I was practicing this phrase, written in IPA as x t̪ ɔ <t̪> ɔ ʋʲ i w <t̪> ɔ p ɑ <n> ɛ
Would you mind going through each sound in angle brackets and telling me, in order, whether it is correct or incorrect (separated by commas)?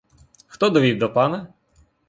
incorrect, incorrect, correct